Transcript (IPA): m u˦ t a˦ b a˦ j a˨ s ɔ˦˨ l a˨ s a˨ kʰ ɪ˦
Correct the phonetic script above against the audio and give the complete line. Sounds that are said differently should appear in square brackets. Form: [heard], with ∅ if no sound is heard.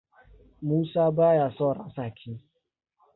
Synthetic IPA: m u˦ [s] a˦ b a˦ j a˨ s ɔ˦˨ [ɾ] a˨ s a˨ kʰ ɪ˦